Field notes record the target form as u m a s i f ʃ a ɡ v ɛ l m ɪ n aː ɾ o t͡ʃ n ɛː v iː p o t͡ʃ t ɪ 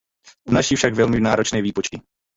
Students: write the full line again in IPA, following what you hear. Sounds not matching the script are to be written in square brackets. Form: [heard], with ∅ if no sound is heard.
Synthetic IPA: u [n] a [ʃ] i f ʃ a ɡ v ɛ l m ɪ n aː ɾ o t͡ʃ n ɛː v iː p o t͡ʃ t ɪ